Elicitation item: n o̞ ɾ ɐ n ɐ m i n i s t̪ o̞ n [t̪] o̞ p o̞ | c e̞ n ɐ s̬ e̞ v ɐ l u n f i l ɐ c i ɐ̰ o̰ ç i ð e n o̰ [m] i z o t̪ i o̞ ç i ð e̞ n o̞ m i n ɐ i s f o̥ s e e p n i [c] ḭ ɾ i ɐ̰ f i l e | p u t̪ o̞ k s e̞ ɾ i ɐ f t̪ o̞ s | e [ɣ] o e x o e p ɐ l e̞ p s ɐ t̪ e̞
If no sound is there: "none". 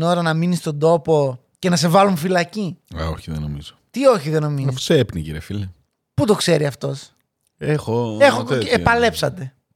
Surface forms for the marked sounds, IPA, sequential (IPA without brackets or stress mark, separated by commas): d̪, m, c, x